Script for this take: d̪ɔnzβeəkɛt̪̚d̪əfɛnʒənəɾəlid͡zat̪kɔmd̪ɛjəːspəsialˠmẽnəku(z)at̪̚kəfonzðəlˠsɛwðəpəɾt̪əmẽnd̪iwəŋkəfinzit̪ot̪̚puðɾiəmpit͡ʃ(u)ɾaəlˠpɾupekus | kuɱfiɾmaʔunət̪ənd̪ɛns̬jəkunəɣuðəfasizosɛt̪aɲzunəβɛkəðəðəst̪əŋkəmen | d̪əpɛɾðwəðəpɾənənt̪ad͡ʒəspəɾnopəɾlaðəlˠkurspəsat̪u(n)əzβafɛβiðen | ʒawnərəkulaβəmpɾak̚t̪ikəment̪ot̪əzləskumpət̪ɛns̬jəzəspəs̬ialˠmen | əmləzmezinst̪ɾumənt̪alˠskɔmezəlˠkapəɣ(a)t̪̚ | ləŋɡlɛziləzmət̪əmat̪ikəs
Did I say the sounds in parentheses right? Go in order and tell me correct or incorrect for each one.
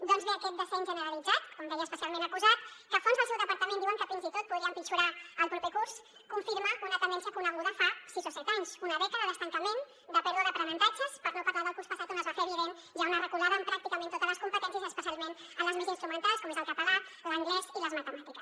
correct, correct, correct, correct

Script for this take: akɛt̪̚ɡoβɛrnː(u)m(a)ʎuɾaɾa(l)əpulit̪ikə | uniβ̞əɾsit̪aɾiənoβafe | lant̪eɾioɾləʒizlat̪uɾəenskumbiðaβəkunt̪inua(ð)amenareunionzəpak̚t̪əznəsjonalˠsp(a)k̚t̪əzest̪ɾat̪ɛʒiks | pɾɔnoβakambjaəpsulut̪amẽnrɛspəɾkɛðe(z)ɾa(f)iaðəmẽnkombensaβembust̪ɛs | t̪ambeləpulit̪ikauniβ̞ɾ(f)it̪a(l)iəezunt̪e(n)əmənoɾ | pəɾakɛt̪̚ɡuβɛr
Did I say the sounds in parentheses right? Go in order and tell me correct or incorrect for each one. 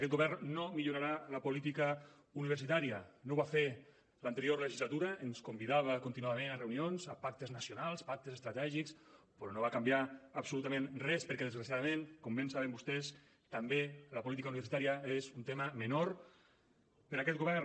incorrect: o, incorrect: i, correct, correct, correct, correct, incorrect: s, incorrect: s, incorrect: ɾ, incorrect: m

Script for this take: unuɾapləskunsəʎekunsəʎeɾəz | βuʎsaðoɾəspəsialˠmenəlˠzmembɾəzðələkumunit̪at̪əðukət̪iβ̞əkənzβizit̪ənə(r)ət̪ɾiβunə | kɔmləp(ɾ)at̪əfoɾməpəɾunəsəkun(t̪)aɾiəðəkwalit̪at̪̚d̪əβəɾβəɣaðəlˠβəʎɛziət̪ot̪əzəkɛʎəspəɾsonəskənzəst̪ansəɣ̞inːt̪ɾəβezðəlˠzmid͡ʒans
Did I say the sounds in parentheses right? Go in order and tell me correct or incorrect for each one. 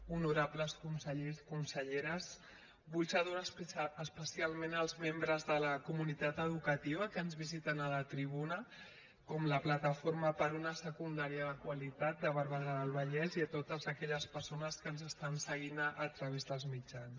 incorrect: l, incorrect: l, incorrect: d̪

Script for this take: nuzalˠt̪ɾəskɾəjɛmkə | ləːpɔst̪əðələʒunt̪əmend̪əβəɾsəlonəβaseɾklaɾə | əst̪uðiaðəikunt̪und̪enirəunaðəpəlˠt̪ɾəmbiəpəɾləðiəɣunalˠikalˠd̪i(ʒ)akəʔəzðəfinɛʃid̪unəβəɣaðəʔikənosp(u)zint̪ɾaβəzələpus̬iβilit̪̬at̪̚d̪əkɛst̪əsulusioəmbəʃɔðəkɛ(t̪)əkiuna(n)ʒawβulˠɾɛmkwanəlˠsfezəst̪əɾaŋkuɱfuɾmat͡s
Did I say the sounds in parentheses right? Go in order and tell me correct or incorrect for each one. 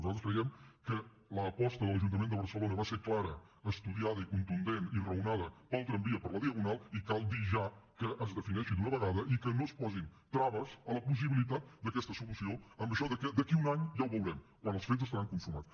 correct, incorrect: ɔ, incorrect: d̪, incorrect: ɲ

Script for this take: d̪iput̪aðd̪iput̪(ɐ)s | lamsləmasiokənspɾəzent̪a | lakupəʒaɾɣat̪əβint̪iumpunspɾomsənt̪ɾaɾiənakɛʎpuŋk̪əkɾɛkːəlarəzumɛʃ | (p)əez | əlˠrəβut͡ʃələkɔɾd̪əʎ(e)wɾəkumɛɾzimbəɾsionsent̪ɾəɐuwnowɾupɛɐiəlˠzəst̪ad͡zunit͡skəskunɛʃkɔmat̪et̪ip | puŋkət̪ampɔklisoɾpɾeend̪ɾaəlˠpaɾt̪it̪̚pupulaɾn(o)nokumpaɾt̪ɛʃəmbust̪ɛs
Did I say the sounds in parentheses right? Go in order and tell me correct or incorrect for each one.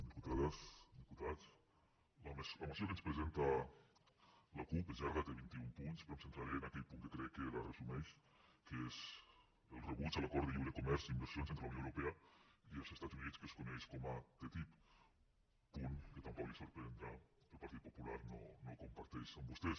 incorrect: a, incorrect: k, incorrect: i, correct

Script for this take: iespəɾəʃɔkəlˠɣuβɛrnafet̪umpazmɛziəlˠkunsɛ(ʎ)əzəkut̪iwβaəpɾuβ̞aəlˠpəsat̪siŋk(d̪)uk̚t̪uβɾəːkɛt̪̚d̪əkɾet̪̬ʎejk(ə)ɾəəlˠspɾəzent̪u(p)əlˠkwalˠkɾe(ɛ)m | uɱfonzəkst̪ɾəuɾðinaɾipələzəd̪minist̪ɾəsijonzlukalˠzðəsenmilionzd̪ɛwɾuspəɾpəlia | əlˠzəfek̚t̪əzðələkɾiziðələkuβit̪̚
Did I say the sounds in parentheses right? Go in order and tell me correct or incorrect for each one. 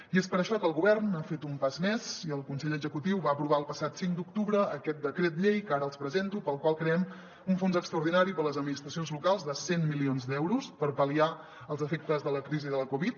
correct, correct, incorrect: a, correct, correct

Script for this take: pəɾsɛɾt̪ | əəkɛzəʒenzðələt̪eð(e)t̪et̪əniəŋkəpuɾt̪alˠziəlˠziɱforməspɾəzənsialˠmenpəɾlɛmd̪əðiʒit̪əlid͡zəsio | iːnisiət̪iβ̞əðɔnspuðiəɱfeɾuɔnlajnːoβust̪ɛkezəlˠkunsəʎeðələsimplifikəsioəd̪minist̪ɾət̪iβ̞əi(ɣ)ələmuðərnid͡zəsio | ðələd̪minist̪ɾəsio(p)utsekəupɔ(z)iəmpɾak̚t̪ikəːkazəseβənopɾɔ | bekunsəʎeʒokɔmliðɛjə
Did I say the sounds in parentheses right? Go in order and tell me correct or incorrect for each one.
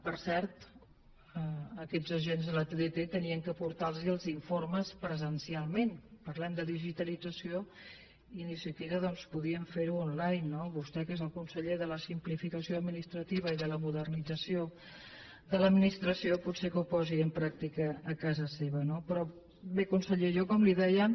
correct, incorrect: ð, correct, correct

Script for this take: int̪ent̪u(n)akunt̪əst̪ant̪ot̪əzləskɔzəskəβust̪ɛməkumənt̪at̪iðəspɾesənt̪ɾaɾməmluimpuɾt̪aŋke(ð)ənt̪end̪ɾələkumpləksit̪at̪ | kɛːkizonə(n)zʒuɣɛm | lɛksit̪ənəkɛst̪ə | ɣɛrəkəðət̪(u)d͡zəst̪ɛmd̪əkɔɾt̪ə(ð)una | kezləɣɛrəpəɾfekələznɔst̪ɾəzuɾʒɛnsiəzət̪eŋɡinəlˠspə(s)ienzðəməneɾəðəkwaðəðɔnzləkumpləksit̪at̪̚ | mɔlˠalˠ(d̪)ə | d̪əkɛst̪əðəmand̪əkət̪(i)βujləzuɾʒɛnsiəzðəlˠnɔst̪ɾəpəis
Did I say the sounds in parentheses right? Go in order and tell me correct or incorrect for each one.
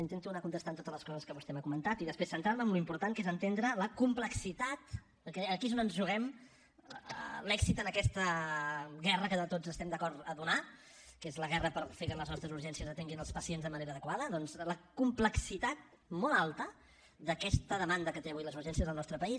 correct, incorrect: z, correct, incorrect: o, correct, correct, incorrect: t̪, incorrect: e

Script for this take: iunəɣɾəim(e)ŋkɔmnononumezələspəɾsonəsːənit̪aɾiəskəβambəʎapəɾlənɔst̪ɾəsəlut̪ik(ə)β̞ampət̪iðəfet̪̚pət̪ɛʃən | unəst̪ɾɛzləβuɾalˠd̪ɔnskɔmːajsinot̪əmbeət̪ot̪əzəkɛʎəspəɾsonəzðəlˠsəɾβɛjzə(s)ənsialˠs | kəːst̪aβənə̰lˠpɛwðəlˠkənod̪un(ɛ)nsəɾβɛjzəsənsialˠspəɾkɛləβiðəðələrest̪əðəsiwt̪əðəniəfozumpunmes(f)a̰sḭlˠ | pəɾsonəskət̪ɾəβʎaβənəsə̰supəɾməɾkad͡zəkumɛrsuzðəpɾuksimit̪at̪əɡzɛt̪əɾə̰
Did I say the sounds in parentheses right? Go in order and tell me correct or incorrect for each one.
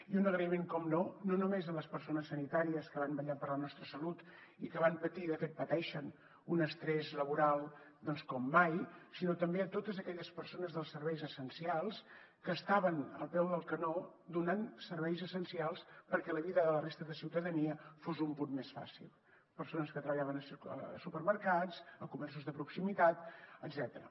correct, correct, correct, incorrect: a, correct

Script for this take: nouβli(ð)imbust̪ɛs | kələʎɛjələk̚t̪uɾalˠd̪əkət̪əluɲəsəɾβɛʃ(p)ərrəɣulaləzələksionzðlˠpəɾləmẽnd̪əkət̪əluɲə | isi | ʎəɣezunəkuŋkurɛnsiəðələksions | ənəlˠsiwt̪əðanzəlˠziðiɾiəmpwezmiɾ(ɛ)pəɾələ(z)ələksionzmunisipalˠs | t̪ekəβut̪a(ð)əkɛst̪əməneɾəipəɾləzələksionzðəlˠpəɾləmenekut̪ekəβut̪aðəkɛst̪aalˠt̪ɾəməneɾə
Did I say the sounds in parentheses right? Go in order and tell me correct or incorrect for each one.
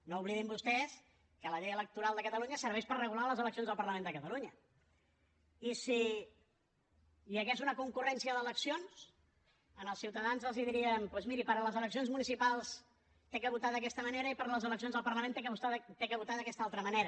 correct, correct, incorrect: i, correct, correct

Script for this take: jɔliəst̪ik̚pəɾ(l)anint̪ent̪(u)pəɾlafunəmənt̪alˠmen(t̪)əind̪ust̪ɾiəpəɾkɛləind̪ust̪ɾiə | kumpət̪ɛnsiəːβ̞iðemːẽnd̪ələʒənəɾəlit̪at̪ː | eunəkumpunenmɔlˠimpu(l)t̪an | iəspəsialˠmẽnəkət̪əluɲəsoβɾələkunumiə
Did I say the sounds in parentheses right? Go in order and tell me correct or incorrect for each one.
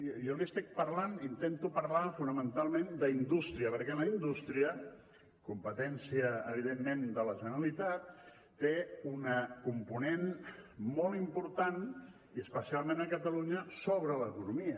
correct, correct, incorrect: d̪, incorrect: ɾ

